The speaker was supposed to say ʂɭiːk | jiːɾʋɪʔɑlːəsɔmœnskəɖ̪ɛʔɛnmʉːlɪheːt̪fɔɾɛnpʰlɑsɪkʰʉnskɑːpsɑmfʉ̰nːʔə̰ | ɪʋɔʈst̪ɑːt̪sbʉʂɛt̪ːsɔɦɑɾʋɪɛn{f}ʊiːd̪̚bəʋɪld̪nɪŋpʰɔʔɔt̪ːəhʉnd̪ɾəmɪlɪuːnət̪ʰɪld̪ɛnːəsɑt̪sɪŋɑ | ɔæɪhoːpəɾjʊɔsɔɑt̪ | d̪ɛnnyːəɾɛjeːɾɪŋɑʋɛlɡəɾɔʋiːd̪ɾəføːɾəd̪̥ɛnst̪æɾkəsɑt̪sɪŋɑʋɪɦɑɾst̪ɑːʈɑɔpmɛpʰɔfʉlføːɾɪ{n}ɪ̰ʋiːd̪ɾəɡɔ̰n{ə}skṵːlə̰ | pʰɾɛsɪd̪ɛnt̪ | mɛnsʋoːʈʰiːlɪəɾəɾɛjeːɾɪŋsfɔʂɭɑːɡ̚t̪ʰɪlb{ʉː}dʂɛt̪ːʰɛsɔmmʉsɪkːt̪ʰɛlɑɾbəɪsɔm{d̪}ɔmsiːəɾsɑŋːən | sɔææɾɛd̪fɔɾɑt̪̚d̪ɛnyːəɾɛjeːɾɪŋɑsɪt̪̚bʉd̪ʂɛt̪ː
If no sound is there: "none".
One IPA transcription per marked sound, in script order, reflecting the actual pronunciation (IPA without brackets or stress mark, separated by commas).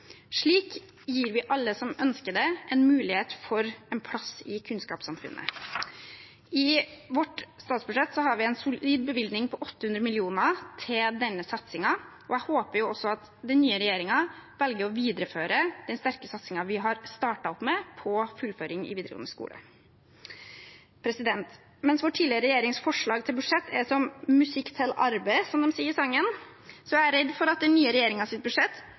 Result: s, ŋ, ə, ʉ, d̪